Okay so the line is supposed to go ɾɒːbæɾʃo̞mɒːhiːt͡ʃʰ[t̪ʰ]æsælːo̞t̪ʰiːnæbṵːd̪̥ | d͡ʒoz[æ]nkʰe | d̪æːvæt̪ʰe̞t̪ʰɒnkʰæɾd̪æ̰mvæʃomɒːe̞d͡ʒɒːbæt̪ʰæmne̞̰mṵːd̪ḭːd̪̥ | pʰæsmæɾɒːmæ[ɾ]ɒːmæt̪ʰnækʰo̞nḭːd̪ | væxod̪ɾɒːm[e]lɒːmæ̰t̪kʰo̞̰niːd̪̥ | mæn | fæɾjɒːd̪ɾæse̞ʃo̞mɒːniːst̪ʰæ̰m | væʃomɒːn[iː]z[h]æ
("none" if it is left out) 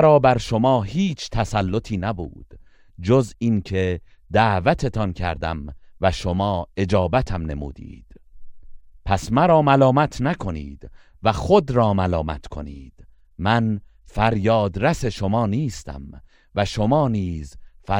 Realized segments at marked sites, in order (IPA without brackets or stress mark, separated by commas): t̪ʰ, i, l, æ, iː, f